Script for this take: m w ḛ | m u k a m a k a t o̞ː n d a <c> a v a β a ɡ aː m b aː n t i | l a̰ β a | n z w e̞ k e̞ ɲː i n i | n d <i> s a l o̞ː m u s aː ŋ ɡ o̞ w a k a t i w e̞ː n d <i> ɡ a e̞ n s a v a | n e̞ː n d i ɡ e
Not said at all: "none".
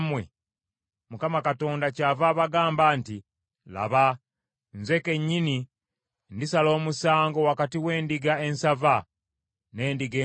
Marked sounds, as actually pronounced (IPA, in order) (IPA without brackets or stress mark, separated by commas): c, i, i